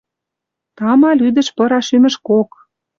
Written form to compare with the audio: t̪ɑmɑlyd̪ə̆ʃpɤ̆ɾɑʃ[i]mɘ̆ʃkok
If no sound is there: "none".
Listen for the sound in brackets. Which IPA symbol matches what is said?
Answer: y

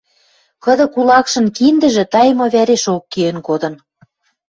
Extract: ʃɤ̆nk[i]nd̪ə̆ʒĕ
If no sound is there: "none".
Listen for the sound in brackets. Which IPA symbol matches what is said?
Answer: i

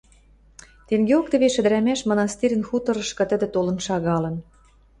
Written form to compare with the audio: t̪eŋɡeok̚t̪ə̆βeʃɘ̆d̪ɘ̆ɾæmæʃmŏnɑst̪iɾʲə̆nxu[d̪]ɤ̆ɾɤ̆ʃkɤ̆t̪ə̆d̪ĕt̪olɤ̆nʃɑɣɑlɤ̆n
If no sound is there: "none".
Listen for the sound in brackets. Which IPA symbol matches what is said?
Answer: t̪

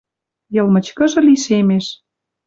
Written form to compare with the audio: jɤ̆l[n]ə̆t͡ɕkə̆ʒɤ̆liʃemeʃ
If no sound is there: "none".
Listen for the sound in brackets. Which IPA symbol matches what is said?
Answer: m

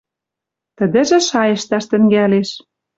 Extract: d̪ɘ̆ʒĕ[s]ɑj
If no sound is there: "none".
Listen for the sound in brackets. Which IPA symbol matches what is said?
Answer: ʃ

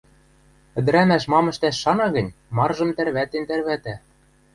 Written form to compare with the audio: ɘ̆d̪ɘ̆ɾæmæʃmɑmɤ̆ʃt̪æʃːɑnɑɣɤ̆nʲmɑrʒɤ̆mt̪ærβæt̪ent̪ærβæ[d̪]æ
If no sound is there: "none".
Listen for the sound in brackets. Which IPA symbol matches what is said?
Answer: t̪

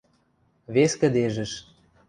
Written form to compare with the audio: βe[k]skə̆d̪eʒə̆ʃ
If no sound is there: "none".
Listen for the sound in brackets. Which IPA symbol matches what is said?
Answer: none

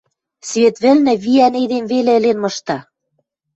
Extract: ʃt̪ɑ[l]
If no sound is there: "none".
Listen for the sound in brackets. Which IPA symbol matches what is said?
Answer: none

